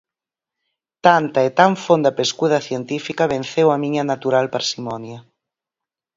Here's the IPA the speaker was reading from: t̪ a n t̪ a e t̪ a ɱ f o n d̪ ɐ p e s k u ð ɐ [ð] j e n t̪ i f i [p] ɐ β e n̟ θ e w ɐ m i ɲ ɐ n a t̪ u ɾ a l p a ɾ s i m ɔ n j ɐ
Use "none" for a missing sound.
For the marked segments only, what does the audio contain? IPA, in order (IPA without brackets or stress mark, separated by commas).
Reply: θ, k